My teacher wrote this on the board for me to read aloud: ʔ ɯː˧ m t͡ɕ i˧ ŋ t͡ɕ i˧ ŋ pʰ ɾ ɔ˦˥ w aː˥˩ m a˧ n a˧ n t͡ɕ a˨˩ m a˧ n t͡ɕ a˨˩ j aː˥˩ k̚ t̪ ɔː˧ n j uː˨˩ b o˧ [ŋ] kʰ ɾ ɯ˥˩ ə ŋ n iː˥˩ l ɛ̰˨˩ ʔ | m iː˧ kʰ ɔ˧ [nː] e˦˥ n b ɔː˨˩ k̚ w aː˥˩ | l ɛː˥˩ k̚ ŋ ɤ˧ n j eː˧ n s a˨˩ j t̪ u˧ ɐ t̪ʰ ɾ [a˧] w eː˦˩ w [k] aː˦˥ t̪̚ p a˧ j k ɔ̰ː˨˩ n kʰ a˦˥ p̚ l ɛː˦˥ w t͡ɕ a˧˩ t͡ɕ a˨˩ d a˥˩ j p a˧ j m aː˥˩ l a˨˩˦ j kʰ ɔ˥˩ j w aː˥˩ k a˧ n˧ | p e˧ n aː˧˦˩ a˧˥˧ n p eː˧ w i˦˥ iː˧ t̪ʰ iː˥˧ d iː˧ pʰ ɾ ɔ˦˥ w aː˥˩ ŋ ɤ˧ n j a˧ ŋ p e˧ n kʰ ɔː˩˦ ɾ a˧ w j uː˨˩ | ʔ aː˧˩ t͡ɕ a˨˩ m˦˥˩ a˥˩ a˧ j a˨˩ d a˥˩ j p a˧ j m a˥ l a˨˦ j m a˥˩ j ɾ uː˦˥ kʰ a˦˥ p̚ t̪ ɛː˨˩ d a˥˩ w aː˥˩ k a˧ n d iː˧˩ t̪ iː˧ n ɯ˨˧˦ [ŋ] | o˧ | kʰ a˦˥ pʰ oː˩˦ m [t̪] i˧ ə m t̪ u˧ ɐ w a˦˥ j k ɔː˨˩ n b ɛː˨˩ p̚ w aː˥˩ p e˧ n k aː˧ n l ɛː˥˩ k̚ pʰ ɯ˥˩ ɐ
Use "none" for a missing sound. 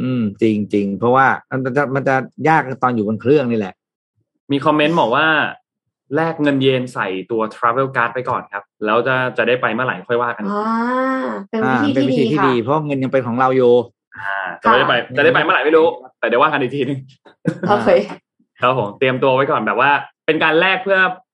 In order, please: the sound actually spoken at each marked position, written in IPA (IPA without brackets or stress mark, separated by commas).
n, mː, a˦˥, k, ŋ, t̪